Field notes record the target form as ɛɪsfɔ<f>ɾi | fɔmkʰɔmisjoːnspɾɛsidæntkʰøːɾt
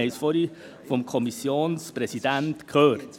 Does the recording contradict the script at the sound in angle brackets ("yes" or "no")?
yes